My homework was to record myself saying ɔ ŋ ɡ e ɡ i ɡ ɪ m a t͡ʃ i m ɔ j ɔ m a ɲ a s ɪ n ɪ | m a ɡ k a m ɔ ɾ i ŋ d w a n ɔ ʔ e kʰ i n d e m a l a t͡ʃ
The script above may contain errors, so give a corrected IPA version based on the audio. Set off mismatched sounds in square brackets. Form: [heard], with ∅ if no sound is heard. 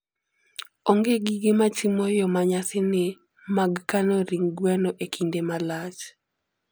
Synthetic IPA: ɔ ŋ ɡ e ɡ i ɡ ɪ m a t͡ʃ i m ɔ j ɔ m a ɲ a s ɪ n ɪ | m a ɡ k a [n] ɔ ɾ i ŋ [ɡ] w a n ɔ ʔ e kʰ i n d e m a l a t͡ʃ